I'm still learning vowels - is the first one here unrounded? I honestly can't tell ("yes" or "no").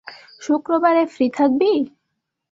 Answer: no